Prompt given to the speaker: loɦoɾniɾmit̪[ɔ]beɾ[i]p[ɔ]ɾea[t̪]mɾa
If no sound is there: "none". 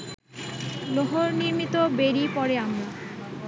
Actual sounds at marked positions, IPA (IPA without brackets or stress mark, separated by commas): o, i, ɔ, none